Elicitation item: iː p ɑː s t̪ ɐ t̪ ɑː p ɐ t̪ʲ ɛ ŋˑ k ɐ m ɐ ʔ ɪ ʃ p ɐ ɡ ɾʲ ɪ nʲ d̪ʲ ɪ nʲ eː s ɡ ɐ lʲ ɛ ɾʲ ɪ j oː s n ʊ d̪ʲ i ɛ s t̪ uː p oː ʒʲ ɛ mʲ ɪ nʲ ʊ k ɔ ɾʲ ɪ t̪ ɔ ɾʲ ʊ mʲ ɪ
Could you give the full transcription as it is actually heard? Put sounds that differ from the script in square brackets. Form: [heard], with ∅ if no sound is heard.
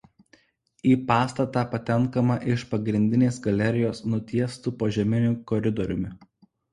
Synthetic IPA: iː p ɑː s t̪ ɐ t̪ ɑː p ɐ t̪ʲ ɛ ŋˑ k ɐ m ɐ ʔ ɪ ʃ p ɐ ɡ ɾʲ ɪ nʲ d̪ʲ ɪ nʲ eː s ɡ ɐ lʲ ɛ ɾʲ ɪ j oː s n ʊ [t̪ʲ] i ɛ s t̪ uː p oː ʒʲ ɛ mʲ ɪ nʲ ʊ k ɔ ɾʲ ɪ [d̪] ɔ ɾʲ ʊ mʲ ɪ